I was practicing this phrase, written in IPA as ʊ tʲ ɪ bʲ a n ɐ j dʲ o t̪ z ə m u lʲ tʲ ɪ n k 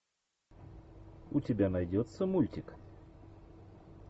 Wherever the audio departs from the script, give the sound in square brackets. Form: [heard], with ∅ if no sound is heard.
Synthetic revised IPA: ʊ tʲ ɪ bʲ a n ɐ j dʲ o t̪ [s] ə m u lʲ tʲ ɪ [∅] k